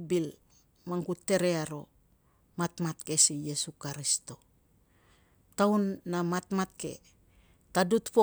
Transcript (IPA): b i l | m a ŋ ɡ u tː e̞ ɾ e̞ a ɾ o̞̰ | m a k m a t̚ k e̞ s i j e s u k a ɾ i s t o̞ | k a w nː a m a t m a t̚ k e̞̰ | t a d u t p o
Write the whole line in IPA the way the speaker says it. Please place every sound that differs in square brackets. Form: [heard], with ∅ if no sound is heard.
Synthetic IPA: b i l | m a ŋ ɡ u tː e̞ ɾ e̞ a ɾ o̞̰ | m a [t] m a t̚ k e̞ s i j e s u k a ɾ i s t o̞ | [t] a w nː a m a t m a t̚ k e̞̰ | t a d u t p o

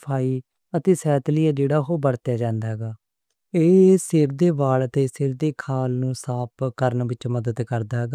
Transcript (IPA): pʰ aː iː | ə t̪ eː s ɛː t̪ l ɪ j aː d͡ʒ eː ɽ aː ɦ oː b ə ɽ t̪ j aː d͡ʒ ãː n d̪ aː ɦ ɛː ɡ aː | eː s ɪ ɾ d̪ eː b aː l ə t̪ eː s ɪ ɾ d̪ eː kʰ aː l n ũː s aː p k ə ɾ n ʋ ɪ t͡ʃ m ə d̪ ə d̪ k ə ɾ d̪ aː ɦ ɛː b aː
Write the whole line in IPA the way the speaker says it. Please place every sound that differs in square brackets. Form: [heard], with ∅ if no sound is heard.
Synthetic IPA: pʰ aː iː | ə t̪ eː s ɛː t̪ l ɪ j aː d͡ʒ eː ɽ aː ɦ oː b ə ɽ t̪ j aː d͡ʒ ãː n d̪ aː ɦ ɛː ɡ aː | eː s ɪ ɾ d̪ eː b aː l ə t̪ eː s ɪ ɾ d̪ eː kʰ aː l n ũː s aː p k ə ɾ n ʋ ɪ t͡ʃ m ə d̪ ə d̪ k ə ɾ d̪ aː ɦ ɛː [ɡ] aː

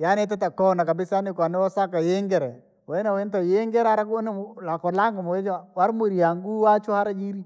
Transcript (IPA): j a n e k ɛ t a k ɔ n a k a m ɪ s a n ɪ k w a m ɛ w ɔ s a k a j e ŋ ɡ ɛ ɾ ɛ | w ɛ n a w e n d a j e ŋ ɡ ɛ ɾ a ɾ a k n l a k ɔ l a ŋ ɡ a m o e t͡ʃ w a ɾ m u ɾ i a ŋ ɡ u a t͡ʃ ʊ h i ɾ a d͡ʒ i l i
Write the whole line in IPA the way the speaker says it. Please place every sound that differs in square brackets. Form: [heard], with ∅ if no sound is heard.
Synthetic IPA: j a n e [t] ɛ t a k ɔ n a k a [b] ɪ s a n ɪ k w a [n] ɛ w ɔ s a k a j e ŋ ɡ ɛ ɾ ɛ | w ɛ n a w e n [t] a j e ŋ ɡ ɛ ɾ a ɾ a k n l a k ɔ l a ŋ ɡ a m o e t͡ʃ w a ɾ m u ɾ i a ŋ ɡ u a t͡ʃ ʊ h [a] ɾ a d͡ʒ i [ɾ] i

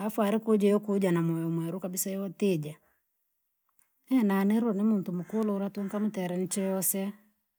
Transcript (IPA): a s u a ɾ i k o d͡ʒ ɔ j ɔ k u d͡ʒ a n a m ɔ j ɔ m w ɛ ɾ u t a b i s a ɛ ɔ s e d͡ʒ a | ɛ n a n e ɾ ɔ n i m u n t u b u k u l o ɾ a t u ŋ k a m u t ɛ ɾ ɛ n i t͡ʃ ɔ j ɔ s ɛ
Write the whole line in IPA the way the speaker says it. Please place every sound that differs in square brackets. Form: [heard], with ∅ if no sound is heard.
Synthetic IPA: a [f] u a ɾ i k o d͡ʒ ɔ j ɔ k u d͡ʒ a n a m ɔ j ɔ m w ɛ ɾ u [k] a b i s a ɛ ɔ [t] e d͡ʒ a | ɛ n a n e ɾ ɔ n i m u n t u [m] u k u l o ɾ a t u ŋ k a m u t ɛ ɾ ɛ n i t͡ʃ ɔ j ɔ s ɛ

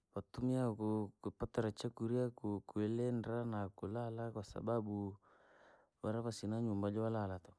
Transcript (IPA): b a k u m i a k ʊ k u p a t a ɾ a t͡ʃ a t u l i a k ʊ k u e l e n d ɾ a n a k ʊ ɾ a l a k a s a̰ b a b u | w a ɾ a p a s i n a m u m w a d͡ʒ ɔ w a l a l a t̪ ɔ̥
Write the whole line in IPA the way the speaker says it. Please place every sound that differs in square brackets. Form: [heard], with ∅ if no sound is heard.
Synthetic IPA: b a [t] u m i a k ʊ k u p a t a ɾ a t͡ʃ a [k] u [ɾ] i a k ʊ k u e l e n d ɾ a n a k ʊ [l] a l a k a s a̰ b a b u | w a ɾ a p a s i n a [ɲ] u m [b] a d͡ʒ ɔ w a l a l a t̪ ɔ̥

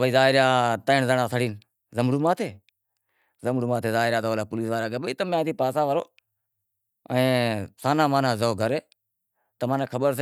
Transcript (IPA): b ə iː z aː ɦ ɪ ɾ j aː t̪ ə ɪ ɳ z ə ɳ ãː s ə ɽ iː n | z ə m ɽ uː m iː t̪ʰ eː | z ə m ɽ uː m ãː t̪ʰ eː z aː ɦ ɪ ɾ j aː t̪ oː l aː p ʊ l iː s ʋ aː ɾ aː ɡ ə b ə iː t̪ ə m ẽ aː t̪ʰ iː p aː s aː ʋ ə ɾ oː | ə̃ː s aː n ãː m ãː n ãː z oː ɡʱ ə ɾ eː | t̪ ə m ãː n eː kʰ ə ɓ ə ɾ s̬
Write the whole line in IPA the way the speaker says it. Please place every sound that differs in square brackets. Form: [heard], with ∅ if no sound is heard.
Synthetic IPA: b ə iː z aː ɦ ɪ ɾ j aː t̪ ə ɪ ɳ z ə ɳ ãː s ə ɽ iː n | z ə m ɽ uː m [aː] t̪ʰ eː | z ə m ɽ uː m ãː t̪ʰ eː z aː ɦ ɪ ɾ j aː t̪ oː l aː p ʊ l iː s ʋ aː ɾ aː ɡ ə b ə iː t̪ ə m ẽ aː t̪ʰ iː p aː s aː ʋ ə ɾ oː | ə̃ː s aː n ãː m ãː n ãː z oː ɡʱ ə ɾ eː | t̪ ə m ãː n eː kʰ ə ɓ ə ɾ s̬

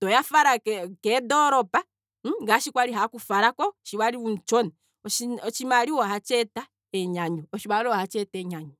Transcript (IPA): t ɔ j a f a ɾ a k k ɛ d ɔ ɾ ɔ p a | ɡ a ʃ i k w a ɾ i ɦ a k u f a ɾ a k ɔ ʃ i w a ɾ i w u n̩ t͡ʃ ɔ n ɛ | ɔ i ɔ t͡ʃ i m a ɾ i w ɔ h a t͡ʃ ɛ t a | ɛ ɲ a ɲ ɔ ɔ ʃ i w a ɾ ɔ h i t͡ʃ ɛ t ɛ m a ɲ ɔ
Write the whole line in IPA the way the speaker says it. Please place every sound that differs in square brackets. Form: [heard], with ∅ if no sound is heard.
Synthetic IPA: t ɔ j a f a ɾ a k k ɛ d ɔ ɾ ɔ p a | ɡ a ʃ i k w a ɾ i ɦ a k u f a ɾ a k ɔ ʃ i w a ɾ i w u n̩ t͡ʃ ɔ n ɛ | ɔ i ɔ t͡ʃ i m a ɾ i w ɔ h a t͡ʃ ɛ t a | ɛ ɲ a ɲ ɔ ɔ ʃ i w a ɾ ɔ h [a] t͡ʃ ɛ t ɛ [ɲ] a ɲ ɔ

